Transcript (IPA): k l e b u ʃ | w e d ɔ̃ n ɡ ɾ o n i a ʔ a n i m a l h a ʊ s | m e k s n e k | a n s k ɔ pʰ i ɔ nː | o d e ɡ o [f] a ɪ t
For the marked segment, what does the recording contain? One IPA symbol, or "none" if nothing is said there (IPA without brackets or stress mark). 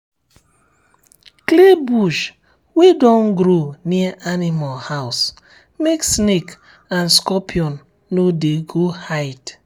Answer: h